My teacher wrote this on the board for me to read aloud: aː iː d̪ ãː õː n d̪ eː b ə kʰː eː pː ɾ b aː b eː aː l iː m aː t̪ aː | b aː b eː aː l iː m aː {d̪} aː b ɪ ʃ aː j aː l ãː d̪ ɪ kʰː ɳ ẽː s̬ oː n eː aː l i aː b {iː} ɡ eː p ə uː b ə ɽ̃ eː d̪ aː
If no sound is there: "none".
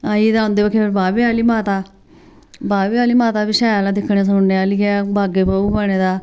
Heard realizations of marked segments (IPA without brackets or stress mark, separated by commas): t̪, aː